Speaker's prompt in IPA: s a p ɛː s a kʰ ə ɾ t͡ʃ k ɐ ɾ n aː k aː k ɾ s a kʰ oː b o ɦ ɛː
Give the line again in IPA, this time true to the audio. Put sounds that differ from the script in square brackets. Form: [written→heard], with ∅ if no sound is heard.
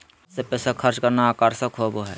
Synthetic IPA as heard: s [a→e] p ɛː s a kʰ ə ɾ t͡ʃ k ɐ ɾ n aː k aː [k→∅] ɾ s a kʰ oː b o ɦ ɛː